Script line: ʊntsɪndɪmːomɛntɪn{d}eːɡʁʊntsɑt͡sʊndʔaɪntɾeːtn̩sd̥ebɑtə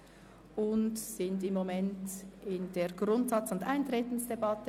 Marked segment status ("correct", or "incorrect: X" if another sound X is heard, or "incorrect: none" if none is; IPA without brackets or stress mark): correct